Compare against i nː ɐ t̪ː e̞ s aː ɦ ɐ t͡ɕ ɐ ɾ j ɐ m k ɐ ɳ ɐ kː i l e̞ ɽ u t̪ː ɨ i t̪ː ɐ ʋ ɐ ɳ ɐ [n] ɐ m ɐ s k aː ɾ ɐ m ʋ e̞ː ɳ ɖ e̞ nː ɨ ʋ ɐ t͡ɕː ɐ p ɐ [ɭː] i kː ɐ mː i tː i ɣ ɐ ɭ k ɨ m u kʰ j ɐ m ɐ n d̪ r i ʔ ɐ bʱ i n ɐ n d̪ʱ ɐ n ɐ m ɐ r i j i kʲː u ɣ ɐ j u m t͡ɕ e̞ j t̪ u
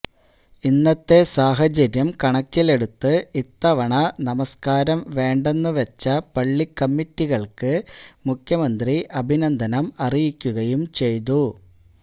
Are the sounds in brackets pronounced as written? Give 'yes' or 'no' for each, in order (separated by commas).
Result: yes, yes